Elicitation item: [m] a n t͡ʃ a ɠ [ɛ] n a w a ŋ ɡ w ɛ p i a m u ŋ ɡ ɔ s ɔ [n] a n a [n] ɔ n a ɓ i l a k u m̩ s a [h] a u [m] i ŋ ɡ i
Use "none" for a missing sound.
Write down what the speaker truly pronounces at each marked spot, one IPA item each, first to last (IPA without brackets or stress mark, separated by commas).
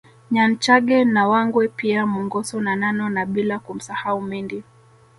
ɲ, ɛ, n, n, h, m